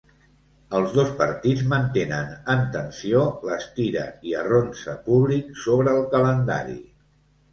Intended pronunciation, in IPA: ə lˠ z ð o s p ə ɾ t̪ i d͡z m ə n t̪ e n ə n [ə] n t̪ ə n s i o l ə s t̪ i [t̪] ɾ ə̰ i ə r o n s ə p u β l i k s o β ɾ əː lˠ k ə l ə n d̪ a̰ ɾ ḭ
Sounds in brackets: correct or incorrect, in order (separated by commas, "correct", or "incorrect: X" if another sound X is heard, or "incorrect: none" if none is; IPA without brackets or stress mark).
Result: correct, incorrect: none